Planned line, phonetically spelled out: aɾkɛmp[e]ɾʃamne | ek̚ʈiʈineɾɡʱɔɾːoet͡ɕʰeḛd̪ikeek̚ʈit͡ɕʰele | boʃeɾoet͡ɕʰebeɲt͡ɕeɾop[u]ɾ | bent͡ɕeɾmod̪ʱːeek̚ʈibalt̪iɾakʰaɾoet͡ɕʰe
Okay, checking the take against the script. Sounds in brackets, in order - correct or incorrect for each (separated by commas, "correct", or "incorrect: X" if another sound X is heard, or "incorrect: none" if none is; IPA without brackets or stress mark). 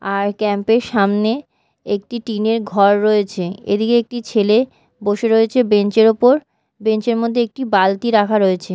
correct, incorrect: o